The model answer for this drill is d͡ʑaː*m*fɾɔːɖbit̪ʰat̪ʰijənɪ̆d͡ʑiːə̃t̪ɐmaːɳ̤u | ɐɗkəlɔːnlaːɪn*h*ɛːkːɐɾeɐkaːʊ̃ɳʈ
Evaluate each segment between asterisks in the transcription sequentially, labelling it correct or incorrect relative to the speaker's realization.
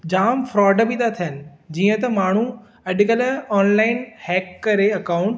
correct, correct

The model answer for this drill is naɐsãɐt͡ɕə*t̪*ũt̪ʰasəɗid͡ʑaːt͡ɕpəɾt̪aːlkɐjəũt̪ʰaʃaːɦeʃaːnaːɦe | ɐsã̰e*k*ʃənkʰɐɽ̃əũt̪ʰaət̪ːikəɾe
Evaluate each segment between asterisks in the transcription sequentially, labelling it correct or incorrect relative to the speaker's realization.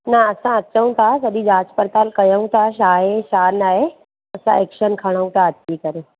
incorrect: none, correct

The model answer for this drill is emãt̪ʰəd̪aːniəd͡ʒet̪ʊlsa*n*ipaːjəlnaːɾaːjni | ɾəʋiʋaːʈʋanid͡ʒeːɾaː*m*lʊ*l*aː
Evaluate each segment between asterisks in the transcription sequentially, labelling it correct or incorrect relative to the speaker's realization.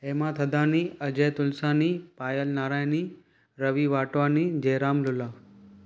correct, correct, correct

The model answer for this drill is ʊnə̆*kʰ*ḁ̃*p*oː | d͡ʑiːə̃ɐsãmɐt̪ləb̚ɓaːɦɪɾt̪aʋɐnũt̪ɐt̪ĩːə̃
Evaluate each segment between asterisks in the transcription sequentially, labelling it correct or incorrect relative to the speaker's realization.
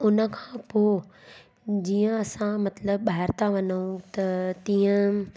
correct, correct

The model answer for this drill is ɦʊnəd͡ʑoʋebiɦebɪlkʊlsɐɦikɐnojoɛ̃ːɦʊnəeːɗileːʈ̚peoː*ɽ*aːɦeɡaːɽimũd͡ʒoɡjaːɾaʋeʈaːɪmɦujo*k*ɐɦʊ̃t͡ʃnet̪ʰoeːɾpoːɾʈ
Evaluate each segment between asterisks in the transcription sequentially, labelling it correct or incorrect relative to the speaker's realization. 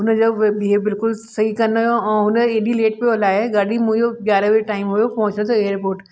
incorrect: l, incorrect: p

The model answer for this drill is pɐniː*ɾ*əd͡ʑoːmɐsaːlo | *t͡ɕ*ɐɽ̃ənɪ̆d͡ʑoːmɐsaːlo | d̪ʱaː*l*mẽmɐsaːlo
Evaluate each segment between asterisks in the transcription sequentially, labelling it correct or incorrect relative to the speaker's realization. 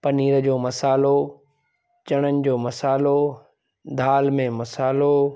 correct, correct, correct

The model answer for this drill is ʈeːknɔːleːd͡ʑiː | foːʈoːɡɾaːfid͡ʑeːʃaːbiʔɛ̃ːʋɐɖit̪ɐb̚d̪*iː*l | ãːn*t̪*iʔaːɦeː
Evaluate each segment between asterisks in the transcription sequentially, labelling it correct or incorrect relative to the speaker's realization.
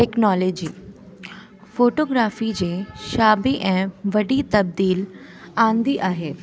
correct, incorrect: d̪

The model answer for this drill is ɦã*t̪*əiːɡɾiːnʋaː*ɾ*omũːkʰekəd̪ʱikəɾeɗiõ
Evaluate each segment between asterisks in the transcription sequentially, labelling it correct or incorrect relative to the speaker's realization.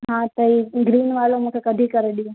correct, incorrect: l

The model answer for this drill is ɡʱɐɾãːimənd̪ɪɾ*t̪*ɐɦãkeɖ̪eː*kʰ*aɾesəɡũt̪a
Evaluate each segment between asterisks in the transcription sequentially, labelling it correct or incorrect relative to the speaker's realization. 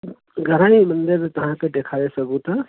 correct, correct

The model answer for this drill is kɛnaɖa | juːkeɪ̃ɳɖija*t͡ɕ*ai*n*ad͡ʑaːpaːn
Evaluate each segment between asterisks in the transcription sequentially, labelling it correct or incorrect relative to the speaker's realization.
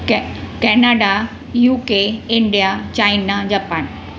correct, correct

